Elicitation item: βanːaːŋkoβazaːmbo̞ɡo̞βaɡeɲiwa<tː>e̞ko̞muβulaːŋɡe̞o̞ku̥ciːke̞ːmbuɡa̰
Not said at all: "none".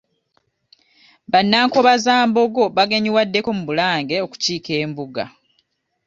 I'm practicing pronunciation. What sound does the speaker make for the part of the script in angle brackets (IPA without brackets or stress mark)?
dː